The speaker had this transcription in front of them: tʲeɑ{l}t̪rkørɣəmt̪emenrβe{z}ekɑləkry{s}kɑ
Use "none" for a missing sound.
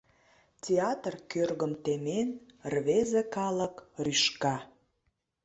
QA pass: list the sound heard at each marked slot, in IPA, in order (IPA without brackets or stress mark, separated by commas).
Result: none, z, ʃ